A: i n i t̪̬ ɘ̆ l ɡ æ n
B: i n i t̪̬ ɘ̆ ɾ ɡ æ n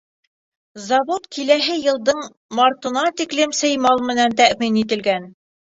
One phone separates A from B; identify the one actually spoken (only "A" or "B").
A